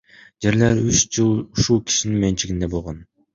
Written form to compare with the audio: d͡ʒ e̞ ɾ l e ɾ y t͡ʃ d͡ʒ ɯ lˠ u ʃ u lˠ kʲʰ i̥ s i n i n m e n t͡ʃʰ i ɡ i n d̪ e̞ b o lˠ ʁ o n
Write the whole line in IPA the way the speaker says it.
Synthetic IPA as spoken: d͡ʒ e̞ ɾ l e ɾ y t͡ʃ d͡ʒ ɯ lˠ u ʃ u lˠ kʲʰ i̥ ʃ i n i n m e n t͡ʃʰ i ɡ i n d̪ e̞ b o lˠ ʁ o n

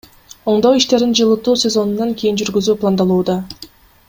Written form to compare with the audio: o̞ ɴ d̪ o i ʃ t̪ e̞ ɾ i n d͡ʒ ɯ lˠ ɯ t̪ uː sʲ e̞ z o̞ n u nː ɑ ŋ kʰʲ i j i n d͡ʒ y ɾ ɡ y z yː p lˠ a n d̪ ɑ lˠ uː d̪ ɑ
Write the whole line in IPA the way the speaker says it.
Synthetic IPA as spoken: o̞ ɴ d̪ o i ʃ t̪ e̞ ɾ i n d͡ʒ ɯ lˠ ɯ t̪ uː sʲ e̞ z o̞ n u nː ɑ ŋ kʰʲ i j i n d͡ʒ y ɾ ɡ y z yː p lˠ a n d̪ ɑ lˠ uː d̪ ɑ

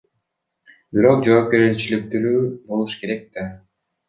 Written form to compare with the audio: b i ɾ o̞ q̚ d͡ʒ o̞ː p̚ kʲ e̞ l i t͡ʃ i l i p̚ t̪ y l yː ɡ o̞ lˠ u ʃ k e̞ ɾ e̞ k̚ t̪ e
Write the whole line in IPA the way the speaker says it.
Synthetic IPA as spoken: b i ɾ o̞ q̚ d͡ʒ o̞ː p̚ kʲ e̞ ɾ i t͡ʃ i l i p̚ t̪ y ɾ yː b o̞ lˠ u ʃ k e̞ ɾ e̞ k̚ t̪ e

